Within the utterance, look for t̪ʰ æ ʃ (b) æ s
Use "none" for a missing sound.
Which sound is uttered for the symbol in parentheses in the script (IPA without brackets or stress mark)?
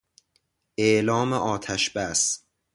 b